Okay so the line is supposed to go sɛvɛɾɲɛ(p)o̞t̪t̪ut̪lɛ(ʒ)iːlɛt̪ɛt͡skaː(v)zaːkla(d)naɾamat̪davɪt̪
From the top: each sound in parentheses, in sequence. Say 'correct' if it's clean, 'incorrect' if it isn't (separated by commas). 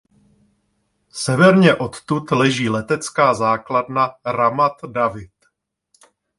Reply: incorrect, correct, incorrect, correct